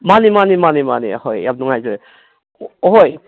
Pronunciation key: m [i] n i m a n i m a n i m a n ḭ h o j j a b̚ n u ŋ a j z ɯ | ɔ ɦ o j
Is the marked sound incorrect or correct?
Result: incorrect